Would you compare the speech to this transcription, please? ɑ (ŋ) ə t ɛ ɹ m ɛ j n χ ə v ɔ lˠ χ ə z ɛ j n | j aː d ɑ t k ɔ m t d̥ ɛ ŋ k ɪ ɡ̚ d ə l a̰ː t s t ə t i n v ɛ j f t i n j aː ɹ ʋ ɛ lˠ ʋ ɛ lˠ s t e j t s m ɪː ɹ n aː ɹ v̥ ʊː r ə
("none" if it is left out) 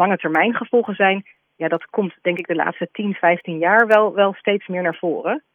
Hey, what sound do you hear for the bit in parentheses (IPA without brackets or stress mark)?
ŋ